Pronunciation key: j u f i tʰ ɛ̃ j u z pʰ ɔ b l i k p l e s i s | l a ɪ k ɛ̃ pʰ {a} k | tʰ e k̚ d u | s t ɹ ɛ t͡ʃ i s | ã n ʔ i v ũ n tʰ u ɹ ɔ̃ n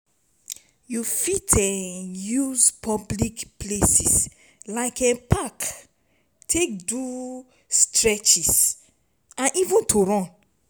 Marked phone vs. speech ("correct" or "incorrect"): correct